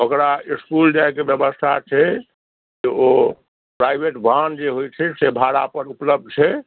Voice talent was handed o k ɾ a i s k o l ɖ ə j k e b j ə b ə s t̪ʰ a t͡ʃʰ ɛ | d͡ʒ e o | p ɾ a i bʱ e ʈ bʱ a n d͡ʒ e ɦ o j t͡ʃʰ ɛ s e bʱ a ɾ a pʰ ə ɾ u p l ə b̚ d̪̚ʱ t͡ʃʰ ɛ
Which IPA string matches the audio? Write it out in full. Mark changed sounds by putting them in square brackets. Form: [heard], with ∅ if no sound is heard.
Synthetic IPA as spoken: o k ɾ a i s k [u] l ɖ [a] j k e b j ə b ə s t̪ʰ a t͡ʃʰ ɛ | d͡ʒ e o | p ɾ a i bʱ e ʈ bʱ a n d͡ʒ e ɦ o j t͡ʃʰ ɛ s e bʱ a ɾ a [p] ə ɾ u p l ə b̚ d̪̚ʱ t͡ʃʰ ɛ